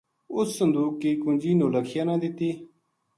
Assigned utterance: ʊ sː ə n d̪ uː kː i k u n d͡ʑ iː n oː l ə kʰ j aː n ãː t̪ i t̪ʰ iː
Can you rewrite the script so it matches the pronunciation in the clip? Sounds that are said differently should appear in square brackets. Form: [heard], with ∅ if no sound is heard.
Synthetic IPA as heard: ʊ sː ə n d̪ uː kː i k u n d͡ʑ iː n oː l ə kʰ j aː n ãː [d̪] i [t̪] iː